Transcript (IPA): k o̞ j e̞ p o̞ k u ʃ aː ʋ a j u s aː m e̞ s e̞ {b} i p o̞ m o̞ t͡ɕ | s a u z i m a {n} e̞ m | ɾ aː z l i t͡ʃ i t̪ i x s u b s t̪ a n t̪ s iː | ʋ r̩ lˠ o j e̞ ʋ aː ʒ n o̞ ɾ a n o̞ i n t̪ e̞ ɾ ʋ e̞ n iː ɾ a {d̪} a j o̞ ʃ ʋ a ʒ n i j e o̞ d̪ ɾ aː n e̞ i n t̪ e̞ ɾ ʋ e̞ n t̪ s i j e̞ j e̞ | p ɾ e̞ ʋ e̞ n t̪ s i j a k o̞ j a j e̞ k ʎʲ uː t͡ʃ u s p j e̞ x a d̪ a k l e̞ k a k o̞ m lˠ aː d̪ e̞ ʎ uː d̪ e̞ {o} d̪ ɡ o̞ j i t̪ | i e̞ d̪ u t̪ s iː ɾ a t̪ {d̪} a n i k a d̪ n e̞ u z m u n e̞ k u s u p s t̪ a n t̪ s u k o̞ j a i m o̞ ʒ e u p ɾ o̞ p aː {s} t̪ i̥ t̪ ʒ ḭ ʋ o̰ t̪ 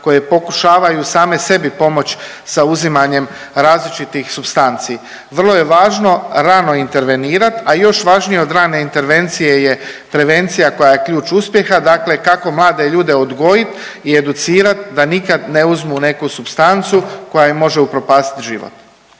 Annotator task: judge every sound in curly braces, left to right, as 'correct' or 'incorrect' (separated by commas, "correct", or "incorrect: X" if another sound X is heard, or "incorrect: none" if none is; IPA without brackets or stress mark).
correct, incorrect: ɲ, incorrect: t̪, correct, correct, correct